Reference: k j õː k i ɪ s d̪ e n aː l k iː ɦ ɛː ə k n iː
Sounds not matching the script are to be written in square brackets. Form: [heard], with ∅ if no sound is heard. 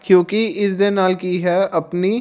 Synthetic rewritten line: k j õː k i ɪ s d̪ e n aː l k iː ɦ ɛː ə [p] n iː